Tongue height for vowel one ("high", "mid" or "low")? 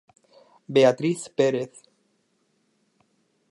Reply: mid